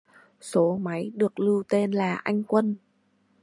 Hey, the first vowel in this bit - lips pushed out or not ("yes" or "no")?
yes